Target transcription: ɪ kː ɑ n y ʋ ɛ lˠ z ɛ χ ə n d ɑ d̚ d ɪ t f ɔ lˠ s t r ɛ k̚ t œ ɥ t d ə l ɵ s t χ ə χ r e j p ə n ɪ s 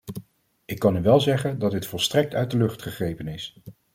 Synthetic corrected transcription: ɪ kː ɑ n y ʋ ɛ lˠ z ɛ χ ə n d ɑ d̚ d ɪ t f ɔ lˠ s t r ɛ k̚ t œ ɥ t d ə l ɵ χ t χ ə χ r e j p ə n ɪ s

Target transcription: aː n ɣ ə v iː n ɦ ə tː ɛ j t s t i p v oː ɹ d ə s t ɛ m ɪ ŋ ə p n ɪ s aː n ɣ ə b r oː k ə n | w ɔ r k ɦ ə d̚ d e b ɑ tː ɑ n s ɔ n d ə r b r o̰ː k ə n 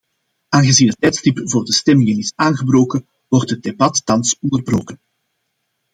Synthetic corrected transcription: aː n ɣ ə z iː n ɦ ə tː ɛ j t s t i p v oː r d ə s t ɛ m ɪ ŋ ə n ɪ s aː n ɣ ə b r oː k ə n | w ɔ r t ɦ ə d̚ d e b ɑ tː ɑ n s ɔ n d ə r b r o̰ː k ə n

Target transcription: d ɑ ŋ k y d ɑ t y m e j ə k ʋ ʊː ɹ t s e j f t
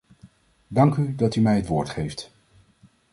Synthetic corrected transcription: d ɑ ŋ k y d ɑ t y m ɛ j ə t ʋ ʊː ɹ t χ e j f t

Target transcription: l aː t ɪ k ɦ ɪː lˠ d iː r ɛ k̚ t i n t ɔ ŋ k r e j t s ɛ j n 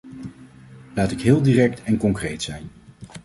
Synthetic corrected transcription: l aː t ɪ k ɦ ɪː lˠ d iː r ɛ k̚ t ɛ n k ɔ ŋ k r e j t s ɛ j n

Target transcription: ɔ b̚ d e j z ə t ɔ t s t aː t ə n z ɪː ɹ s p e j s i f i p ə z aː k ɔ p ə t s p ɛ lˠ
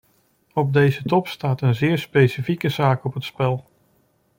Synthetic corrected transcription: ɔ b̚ d e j z ə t ɔ p s t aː t ə n z ɪː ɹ s p e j s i f i k ə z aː k ɔ p ə t s p ɛ lˠ

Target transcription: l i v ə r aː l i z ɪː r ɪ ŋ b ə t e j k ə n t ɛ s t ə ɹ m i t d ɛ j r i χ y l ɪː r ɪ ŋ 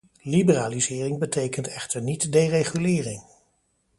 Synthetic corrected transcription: l i b ə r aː l i z ɪː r ɪ ŋ b ə t e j k ə n t ɛ χ t ə ɹ n i t d e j r e χ y l ɪː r ɪ ŋ

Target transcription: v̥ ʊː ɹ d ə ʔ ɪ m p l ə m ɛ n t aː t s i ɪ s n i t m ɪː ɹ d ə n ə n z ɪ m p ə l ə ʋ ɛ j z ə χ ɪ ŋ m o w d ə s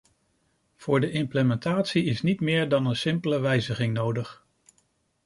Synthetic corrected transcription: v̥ ʊː ɹ d ə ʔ ɪ m p l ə m ɛ n t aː t s i ɪ s n i t m ɪː ɹ d ɑ n ə n s ɪ m p ə l ə ʋ ɛ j z ə χ ɪ ŋ n o w d ə χ

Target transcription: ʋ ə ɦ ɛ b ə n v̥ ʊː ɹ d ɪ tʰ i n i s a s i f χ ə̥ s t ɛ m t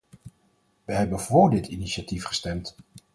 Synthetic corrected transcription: ʋ ə ɦ ɛ b ə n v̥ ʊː ɹ d ɪ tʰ i n i ʃ a t i f χ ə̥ s t ɛ m t

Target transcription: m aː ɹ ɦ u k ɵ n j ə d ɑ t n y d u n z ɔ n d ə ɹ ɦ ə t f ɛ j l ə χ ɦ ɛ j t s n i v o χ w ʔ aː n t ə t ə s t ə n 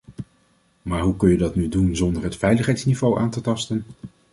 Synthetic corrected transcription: m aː ɹ ɦ u k ɵ n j ə d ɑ t n y d u n z ɔ n d ə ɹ ɦ ə t f ɛ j l ə χ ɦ ɛ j t s n i v o w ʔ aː n t ə t ɑ s t ə n

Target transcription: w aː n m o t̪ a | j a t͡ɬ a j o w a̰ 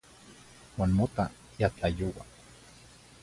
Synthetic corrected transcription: w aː n m o t̪ a | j a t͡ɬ a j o w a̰

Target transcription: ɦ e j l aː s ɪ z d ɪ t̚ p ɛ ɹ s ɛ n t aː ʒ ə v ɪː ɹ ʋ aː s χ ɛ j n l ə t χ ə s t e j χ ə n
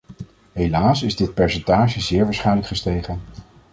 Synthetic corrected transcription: ɦ e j l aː s ɪ z d ɪ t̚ p ɛ ɹ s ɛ n t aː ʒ ə z ɪː ɹ ʋ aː s χ ɛ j n l ə k χ ə s t e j χ ə n

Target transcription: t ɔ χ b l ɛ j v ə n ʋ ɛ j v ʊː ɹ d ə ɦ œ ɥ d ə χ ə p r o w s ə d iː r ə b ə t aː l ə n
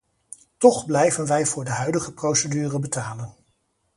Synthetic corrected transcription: t ɔ χ b l ɛ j v ə n ʋ ɛ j v ʊː ɹ d ə ɦ œ ɥ d ə χ ə p r o w s ə d yː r ə b ə t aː l ə n

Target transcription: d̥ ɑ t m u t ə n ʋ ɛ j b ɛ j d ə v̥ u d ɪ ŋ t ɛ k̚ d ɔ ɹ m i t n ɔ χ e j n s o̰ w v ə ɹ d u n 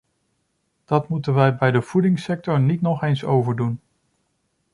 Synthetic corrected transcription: d̥ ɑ t m u t ə n ʋ ɛ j b ɛ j d ə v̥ u d ɪ ŋ s ɛ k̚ t ɔ ɹ n i t n ɔ χ e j n s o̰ w v ə ɹ d u n

